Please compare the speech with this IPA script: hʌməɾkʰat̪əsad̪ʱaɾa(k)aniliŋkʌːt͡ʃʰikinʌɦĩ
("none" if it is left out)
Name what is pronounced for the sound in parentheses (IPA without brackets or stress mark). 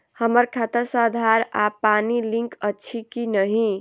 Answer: p